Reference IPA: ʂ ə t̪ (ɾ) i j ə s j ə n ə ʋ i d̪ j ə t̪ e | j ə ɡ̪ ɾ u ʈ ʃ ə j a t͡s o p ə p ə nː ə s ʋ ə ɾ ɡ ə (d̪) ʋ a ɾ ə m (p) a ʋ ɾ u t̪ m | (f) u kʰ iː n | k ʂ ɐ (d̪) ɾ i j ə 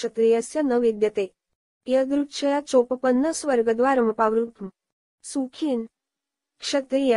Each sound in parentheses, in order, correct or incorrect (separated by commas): correct, correct, correct, incorrect, incorrect